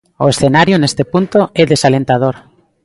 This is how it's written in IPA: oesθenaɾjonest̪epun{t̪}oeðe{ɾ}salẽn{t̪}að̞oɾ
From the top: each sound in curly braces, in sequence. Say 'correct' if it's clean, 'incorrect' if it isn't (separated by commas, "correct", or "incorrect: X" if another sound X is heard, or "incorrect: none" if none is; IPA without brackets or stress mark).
correct, incorrect: none, correct